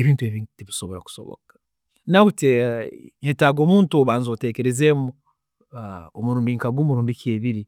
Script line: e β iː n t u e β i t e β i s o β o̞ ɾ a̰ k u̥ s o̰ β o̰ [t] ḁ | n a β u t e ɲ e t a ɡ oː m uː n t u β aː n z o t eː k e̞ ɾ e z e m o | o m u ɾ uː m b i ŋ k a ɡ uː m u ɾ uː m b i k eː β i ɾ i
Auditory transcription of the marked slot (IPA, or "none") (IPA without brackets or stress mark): k